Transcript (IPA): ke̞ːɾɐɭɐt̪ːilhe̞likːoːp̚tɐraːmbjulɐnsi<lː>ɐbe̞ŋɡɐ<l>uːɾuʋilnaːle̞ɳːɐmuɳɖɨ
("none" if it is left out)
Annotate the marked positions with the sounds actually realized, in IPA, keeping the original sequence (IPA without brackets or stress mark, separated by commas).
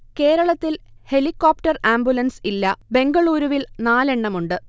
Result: lː, ɭ